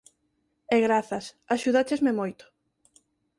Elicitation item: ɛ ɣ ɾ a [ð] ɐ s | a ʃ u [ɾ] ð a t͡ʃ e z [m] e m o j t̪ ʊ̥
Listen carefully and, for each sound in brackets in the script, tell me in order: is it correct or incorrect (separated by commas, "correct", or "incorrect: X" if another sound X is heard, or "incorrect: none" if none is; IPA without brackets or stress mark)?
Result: incorrect: θ, incorrect: none, correct